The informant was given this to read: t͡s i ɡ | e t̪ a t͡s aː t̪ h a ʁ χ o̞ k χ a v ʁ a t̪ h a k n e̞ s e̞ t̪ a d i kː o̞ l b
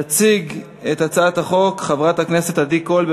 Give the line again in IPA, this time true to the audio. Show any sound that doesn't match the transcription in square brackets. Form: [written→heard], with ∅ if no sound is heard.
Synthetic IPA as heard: t͡s i ɡ | e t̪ a t͡s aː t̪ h a [ʁ→∅] χ o̞ k χ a v ʁ a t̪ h a k n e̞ s e̞ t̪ a d i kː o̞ l b